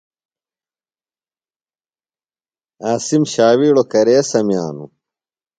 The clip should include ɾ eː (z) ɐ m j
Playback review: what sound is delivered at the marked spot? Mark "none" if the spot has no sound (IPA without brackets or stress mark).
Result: s